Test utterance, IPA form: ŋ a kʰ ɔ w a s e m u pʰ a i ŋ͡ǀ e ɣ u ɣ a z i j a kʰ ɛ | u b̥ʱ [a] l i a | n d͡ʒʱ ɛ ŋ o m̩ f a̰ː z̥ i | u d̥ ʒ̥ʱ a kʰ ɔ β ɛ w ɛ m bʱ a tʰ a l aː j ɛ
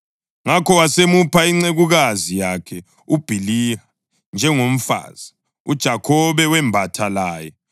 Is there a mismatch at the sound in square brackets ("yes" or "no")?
yes